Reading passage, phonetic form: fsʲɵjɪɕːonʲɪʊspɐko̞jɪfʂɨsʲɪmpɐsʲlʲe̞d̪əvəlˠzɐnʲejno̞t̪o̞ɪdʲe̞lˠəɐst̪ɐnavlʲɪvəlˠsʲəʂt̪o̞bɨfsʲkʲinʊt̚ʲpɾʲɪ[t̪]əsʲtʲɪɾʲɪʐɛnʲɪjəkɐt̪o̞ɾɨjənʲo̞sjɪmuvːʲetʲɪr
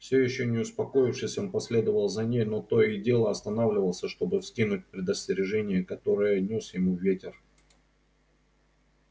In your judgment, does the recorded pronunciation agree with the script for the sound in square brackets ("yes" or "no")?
no